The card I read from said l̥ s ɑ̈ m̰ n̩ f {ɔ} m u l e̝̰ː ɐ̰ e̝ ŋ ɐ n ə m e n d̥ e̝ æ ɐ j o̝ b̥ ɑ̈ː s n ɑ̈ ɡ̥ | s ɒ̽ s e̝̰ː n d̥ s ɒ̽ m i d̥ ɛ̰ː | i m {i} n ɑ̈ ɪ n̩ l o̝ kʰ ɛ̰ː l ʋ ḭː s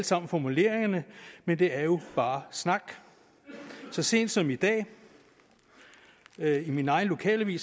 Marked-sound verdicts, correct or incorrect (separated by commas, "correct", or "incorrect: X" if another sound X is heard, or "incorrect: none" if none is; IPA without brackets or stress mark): incorrect: ɒ, correct